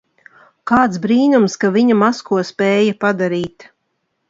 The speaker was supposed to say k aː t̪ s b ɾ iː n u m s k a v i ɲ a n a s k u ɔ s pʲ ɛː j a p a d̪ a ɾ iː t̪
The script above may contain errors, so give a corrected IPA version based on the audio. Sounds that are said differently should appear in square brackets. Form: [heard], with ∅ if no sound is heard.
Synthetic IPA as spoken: k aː t̪ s b ɾ iː n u m s k a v i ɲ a [m] a s k u ɔ s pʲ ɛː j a p a d̪ a ɾ iː t̪